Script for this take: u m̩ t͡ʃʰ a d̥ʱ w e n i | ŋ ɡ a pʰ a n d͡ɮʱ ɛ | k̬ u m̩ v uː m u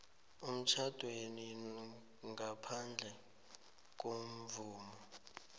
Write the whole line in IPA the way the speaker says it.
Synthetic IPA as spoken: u m̩ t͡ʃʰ a d̥ʱ w e n i | ŋ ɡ a pʰ a n d͡ɮʱ ɛ | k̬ o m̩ v uː m ɔ